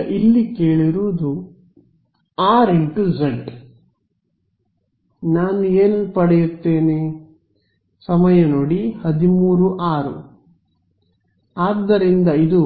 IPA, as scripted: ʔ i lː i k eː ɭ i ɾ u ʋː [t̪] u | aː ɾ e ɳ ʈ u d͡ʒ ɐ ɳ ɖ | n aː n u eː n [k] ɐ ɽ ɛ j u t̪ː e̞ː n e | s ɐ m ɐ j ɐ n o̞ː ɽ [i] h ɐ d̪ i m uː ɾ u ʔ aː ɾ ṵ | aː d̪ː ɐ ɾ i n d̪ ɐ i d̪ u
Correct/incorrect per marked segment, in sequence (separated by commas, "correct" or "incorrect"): incorrect, incorrect, correct